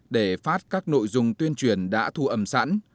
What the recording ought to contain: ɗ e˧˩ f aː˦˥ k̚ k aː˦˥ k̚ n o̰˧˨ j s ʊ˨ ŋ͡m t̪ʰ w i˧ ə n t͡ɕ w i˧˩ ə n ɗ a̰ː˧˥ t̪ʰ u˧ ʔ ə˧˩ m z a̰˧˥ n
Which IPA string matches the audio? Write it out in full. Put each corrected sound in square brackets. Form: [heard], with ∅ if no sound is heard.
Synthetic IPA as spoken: ɗ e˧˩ f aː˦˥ [t̚] k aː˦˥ k̚ n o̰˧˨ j [z] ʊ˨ ŋ͡m [t̪] w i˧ ə n t͡ɕ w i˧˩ ə n ɗ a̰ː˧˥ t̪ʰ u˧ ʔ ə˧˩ m [s] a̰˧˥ n